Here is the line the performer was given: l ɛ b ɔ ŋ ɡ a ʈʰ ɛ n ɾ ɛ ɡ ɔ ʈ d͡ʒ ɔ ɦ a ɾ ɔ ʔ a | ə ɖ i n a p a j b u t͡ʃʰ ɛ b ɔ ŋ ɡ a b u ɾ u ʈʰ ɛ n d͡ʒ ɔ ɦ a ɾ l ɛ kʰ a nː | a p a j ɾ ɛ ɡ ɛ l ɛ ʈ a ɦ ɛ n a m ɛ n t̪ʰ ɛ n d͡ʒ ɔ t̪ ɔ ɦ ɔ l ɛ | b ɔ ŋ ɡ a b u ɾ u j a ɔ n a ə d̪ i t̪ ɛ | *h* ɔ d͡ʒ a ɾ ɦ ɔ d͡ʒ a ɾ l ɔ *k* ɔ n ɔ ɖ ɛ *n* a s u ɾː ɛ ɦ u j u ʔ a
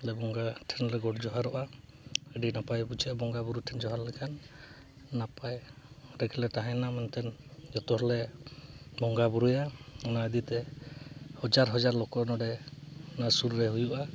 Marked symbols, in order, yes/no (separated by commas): yes, yes, yes